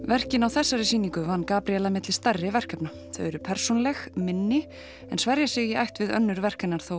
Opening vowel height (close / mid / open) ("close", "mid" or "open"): mid